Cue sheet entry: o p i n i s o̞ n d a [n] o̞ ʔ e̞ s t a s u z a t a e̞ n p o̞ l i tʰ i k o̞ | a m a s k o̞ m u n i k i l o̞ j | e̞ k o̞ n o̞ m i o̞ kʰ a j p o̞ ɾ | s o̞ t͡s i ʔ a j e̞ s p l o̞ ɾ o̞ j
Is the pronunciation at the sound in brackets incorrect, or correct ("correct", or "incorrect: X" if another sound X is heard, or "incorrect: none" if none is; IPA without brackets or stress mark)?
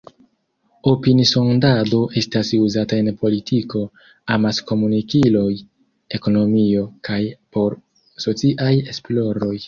incorrect: d